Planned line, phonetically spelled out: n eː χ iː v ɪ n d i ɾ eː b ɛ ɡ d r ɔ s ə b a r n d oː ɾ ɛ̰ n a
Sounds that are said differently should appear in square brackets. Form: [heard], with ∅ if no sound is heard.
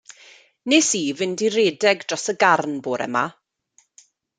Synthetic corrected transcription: n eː [s] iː v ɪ n d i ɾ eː [d] ɛ ɡ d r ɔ s ə [ɡ] a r n [b] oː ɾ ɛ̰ [m] a